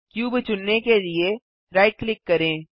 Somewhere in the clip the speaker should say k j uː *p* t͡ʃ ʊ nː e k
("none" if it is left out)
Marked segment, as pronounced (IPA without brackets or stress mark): b